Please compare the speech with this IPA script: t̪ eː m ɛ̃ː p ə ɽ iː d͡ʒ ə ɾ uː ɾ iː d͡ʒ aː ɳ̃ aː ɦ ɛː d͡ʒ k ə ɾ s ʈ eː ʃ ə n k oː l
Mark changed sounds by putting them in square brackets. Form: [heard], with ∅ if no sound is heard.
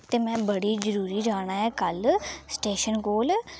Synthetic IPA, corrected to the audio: t̪ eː m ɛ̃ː [b] ə ɽ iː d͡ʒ ə ɾ uː ɾ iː d͡ʒ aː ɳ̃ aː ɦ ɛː [∅] k ə [l] s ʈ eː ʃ ə n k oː l